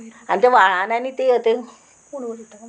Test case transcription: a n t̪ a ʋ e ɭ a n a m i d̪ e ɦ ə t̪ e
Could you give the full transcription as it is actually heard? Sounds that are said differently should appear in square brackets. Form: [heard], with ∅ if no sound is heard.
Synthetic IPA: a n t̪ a ʋ [a] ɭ a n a [n] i [t̪] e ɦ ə t̪ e